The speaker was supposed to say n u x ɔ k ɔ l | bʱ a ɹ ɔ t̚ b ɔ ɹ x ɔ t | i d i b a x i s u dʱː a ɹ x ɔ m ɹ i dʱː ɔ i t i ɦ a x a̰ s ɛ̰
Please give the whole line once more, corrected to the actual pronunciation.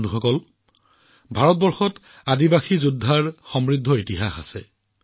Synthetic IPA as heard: n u x ɔ k ɔ l | bʱ a ɹ ɔ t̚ b ɔ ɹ x ɔ t | a d i b a x i z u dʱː a ɹ x ɔ m ɹ i dʱː ɔ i t i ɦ a x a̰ s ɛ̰